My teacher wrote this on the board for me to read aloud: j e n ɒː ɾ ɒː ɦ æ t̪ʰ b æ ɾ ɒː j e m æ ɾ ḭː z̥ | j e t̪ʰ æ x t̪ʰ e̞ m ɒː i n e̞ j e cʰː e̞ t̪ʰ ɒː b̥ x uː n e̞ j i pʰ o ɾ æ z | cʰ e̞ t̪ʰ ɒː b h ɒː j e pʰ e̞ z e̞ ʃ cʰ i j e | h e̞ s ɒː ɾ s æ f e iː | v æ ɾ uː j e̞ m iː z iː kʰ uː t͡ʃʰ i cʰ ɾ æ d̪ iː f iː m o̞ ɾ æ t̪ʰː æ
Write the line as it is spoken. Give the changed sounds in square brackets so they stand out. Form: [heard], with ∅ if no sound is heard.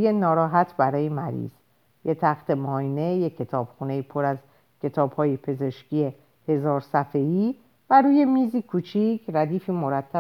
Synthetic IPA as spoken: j e n ɒː ɾ ɒː ɦ æ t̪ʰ b æ ɾ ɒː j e m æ ɾ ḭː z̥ | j e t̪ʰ æ x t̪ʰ e̞ m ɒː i n e̞ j e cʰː e̞ t̪ʰ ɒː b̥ x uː n e̞ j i pʰ o ɾ æ z | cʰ e̞ t̪ʰ ɒː b h ɒː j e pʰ e̞ z e̞ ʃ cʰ i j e | h e̞ [z] ɒː ɾ s æ f e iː | v æ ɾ uː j e̞ m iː z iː kʰ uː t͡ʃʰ i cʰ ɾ æ d̪ iː f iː m o̞ ɾ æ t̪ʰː æ